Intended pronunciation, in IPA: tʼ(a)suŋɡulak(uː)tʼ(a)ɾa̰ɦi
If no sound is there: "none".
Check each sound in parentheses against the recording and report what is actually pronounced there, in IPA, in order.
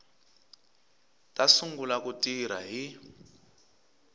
a, u, i

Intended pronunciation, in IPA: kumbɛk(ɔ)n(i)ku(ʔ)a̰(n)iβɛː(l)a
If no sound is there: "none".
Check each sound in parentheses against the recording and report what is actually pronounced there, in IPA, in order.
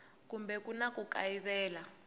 u, a, k, none, l

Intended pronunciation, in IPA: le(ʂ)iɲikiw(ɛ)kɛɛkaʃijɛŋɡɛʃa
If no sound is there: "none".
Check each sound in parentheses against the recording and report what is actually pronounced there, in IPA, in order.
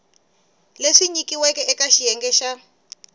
ʂ, ɛ

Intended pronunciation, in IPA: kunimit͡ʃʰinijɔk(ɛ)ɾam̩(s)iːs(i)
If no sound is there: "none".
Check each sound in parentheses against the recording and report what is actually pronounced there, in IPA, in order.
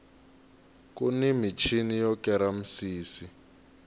ɛ, s, i

